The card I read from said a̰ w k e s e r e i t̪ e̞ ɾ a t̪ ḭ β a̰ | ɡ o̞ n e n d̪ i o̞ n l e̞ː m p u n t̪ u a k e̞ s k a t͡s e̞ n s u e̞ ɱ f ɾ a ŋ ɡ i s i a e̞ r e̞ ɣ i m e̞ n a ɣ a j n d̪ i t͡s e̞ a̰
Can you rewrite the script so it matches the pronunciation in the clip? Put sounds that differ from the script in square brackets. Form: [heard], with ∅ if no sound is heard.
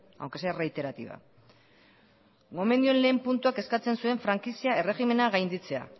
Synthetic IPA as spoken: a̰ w k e s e r e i t̪ e̞ ɾ a t̪ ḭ β a̰ | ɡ o̞ [m] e n d̪ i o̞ n l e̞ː m p u n t̪ u a k e̞ s k a t͡s e̞ n s u e̞ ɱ f ɾ a ŋ [k] i s i a e̞ r e̞ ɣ i m e̞ n a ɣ a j n d̪ i t͡s e̞ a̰